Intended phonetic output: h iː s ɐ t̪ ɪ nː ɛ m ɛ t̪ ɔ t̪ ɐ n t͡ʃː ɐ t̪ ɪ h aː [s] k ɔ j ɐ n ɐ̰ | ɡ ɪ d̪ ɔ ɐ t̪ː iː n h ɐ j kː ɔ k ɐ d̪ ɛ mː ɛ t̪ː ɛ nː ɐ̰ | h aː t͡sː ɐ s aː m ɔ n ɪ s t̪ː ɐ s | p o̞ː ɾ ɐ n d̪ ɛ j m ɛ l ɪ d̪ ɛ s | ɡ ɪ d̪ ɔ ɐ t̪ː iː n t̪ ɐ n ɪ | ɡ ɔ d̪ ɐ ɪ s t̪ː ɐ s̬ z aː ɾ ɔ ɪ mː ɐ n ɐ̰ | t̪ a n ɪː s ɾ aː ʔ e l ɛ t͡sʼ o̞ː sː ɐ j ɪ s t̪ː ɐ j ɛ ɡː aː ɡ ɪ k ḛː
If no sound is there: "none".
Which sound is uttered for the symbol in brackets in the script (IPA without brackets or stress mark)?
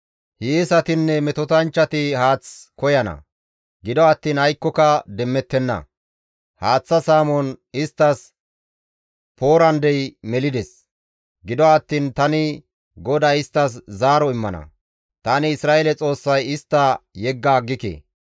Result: t͡s